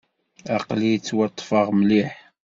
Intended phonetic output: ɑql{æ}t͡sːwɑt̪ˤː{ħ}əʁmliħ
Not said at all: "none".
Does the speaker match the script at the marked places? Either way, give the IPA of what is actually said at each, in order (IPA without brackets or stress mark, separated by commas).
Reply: i, f